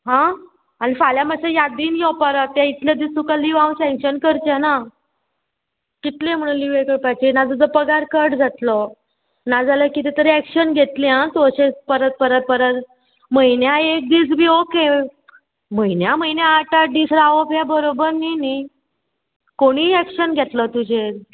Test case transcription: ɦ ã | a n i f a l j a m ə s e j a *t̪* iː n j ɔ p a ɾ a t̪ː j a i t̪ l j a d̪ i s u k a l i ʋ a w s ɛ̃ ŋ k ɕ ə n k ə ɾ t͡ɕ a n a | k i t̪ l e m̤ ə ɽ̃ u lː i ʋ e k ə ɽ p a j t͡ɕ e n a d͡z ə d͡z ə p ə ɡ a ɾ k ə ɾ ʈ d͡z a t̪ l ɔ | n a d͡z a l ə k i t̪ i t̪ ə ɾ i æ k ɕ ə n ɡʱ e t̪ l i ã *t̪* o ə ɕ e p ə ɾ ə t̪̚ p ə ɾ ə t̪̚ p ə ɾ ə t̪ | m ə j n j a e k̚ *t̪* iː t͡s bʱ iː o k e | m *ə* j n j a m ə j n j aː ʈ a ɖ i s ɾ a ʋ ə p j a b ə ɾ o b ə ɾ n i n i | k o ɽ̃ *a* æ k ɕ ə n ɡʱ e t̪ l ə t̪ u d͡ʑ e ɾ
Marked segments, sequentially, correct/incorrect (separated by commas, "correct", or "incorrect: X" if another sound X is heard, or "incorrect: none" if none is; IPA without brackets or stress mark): incorrect: d̪, correct, incorrect: d̪, correct, incorrect: i